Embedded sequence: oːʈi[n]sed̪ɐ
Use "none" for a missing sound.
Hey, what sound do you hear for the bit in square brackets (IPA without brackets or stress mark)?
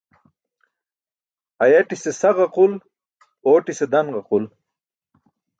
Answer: none